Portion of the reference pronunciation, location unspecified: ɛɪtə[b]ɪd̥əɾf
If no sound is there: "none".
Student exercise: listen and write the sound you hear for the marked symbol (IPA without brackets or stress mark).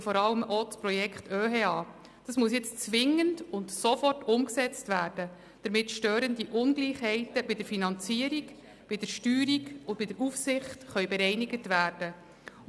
b